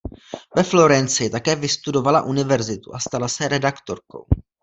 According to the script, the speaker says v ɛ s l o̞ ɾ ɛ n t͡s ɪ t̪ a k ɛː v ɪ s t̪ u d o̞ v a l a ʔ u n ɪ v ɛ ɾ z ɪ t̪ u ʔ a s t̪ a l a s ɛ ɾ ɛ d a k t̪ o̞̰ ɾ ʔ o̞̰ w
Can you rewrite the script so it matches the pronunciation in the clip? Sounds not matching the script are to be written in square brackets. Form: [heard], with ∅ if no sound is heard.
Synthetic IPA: v ɛ [f] l o̞ ɾ ɛ n t͡s ɪ t̪ a k ɛː v ɪ s t̪ u d o̞ v a l a ʔ u n ɪ v ɛ ɾ z ɪ t̪ u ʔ a s t̪ a l a s ɛ ɾ ɛ d a k t̪ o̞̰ ɾ [k] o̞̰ w